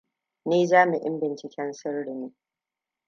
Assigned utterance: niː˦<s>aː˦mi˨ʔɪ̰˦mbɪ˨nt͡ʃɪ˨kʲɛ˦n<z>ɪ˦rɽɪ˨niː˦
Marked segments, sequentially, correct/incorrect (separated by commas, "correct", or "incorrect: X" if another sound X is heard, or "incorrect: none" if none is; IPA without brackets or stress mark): incorrect: z, incorrect: s